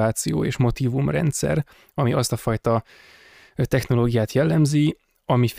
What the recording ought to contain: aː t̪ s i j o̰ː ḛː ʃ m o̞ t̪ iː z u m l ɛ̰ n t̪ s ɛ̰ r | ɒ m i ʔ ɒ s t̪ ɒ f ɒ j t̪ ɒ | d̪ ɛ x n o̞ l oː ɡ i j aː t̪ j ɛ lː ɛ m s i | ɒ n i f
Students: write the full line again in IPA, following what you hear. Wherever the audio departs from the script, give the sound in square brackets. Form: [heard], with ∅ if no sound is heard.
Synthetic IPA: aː t̪ s i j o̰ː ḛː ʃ m o̞ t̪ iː [v] u m [r] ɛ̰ n t̪ s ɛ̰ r | ɒ m i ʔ ɒ s t̪ ɒ f ɒ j t̪ ɒ | [t̪] ɛ x n o̞ l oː ɡ i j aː t̪ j ɛ lː ɛ m [z] i | ɒ [m] i f